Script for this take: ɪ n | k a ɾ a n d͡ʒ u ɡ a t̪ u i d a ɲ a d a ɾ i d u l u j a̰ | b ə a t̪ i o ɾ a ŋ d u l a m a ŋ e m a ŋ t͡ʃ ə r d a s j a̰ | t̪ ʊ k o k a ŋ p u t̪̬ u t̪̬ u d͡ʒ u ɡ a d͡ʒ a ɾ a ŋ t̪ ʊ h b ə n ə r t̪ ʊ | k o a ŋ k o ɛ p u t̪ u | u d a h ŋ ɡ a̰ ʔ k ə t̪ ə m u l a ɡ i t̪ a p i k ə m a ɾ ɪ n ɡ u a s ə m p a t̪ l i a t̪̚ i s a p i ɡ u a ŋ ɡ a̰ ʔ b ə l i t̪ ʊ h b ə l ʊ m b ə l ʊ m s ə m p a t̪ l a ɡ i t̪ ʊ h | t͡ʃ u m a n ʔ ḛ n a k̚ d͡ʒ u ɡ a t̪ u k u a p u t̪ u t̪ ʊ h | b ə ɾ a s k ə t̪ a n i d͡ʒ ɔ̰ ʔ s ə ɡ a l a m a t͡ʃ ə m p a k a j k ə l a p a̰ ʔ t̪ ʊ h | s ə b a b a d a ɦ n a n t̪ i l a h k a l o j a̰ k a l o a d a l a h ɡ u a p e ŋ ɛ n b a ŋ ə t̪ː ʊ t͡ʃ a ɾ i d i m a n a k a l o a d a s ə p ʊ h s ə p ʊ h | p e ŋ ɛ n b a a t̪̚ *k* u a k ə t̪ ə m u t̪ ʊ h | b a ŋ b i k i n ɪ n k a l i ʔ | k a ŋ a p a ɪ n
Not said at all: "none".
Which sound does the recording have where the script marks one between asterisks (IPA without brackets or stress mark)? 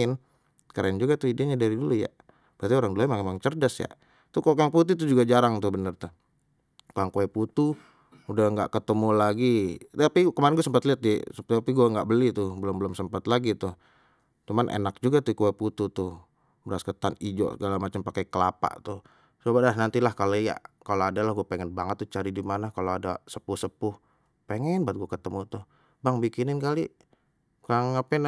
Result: ɡ